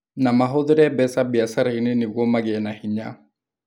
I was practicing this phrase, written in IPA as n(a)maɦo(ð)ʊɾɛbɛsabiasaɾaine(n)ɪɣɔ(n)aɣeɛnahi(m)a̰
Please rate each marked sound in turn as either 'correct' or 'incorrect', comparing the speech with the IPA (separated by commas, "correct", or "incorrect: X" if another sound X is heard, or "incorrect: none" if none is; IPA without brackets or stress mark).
correct, correct, correct, incorrect: m, incorrect: ɲ